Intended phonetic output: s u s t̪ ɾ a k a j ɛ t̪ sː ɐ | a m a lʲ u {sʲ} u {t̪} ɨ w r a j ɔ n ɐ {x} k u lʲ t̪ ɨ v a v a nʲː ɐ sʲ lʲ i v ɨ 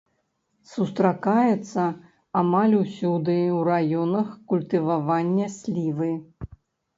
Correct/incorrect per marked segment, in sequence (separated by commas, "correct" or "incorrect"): correct, incorrect, correct